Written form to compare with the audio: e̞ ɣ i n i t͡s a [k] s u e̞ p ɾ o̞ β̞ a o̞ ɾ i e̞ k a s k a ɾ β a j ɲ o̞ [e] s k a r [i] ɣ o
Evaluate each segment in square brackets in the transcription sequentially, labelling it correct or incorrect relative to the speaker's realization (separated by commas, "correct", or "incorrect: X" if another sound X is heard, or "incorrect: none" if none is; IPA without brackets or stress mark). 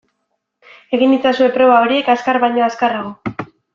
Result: incorrect: none, incorrect: a, incorrect: a